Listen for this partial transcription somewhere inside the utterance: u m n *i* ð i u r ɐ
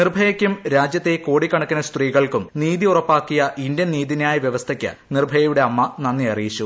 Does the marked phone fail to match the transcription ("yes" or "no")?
yes